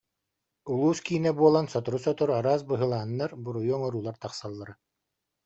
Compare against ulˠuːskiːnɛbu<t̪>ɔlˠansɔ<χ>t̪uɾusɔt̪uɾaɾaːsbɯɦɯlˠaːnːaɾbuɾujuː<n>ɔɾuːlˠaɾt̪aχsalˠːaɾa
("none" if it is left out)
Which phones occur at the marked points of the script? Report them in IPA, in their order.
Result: none, none, ŋ

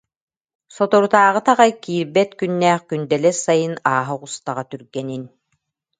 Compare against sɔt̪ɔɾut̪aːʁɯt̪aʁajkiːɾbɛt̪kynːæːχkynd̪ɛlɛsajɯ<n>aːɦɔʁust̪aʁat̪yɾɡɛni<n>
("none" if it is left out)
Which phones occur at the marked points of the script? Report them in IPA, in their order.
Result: n, n

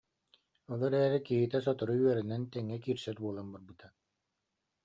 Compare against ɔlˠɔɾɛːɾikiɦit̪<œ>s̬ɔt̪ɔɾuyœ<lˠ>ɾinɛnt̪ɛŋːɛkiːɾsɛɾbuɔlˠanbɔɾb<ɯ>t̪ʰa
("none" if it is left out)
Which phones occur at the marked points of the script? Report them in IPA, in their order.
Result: ɛ, none, ɯ

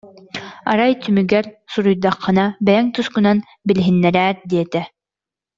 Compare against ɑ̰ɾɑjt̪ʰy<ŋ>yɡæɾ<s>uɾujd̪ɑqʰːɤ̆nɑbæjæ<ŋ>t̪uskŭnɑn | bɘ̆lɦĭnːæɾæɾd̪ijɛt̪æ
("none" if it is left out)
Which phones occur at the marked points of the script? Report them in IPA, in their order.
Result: m, s, ŋ

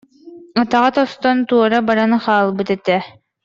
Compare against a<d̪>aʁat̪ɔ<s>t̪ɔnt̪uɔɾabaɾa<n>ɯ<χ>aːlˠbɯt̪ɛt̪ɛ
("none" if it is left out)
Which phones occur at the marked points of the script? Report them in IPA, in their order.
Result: t̪, s, n, χ

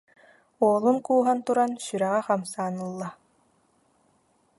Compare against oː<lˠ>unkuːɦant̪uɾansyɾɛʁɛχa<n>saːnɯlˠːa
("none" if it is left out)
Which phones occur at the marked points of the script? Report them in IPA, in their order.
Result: lˠ, m

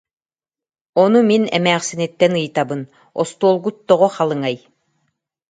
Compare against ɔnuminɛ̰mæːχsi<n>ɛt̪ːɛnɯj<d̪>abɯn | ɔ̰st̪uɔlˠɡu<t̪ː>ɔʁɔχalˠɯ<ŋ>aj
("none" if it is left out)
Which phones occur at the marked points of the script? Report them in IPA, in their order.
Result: n, t̪, t̪ː, ŋ

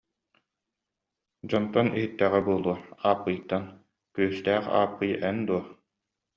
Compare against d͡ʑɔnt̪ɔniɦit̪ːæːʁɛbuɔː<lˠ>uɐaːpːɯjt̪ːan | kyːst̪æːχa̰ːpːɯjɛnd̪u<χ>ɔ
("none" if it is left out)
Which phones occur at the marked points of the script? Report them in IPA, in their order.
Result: lˠ, none

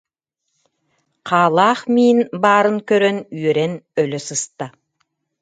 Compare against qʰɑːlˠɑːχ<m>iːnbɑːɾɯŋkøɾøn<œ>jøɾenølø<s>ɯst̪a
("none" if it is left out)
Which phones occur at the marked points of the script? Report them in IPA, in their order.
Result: m, y, s

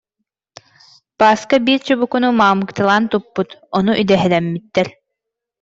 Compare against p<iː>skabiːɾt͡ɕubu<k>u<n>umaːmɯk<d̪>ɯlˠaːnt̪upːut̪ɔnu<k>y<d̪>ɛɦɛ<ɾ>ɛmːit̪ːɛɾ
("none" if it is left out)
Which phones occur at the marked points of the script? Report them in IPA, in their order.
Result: aː, k, n, t̪, ʔ, d̪, l

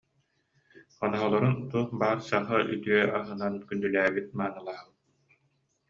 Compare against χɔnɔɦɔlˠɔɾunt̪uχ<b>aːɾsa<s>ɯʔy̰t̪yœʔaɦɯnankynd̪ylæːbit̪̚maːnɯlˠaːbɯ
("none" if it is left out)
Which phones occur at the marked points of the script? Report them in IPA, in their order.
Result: b, χ

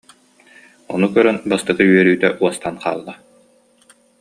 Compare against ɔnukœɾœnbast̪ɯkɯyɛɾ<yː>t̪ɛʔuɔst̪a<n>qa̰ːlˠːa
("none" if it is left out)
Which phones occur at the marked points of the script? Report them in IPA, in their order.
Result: yː, n

